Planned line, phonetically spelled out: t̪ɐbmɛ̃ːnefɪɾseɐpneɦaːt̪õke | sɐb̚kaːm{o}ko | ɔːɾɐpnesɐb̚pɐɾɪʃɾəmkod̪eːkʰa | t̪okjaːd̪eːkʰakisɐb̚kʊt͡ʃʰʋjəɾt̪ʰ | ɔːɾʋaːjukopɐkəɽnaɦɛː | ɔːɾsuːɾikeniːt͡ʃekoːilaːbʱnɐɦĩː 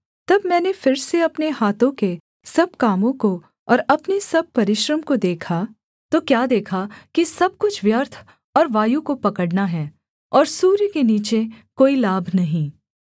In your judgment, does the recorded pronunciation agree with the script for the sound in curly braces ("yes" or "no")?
no